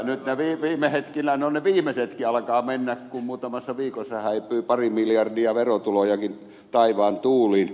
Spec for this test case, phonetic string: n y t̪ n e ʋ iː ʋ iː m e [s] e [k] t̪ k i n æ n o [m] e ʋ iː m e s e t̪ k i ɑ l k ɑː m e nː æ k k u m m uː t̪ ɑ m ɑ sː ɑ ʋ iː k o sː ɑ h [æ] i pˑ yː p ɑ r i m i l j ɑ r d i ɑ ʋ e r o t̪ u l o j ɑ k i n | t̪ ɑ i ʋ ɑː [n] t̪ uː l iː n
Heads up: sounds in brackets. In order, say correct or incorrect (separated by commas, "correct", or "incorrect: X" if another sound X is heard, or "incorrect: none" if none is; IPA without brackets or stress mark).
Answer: incorrect: h, incorrect: none, incorrect: n, correct, correct